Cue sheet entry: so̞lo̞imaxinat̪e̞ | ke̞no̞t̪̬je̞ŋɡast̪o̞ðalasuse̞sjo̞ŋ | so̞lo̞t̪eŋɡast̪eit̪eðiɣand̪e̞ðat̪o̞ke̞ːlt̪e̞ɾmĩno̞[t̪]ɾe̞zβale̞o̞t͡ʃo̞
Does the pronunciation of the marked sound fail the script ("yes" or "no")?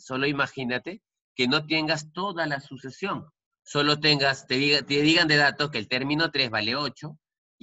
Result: no